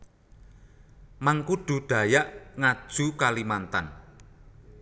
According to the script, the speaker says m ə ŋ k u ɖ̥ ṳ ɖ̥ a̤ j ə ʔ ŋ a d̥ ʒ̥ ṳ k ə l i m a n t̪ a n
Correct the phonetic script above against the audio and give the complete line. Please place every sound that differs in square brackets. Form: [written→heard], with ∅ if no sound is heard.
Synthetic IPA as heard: m [ə→a] ŋ k u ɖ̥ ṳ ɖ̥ a̤ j [ə→a] ʔ ŋ a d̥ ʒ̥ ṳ k [ə→a] l i m a n t̪ a n